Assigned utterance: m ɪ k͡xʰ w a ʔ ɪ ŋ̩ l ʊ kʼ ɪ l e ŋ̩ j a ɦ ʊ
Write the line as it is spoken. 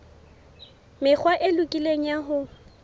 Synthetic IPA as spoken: m ɪ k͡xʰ w a ʔ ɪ l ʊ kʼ i l e ŋ̩ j a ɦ ʊ

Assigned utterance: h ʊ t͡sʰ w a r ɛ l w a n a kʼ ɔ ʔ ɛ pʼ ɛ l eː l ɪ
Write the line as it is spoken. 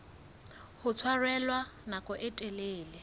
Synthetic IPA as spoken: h ʊ t͡sʰ w a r ɛ l w a n a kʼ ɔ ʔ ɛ tʼ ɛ l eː l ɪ

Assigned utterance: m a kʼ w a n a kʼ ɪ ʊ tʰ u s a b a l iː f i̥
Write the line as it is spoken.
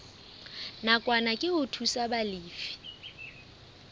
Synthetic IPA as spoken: n a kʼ w a n a kʼ ɪ ʊ tʰ u s a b a l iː f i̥

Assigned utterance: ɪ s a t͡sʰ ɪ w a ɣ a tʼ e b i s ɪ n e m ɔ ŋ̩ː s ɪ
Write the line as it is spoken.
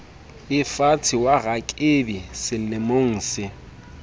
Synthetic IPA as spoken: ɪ f a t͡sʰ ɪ w a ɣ a kʼ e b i s ɪ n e m o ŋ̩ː s ɪ

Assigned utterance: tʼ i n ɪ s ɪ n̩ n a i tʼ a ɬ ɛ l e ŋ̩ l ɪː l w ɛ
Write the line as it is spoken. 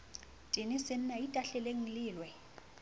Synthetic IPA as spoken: tʼ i n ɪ s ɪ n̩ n a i tʼ a ɬ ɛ l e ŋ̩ l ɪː l w ɛ

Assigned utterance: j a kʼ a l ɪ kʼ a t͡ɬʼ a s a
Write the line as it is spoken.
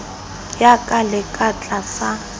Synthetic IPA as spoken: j a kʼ a l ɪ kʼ a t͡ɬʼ a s a

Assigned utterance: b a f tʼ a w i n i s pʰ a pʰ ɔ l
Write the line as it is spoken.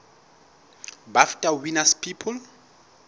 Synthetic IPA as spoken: b a f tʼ a w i n a s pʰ i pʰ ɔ l

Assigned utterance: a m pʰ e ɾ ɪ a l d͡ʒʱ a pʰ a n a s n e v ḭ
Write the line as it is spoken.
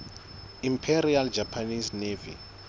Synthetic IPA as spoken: i m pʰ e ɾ i a l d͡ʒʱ a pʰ a n i s n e v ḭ

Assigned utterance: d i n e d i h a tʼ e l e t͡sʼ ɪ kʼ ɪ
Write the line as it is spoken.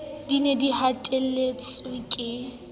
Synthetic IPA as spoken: d i n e d i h a tʼ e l e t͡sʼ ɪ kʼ ɪ

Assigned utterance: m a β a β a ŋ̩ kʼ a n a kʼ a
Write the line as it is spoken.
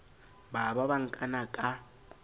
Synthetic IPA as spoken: b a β a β a ŋ̩ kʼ a n a kʼ a

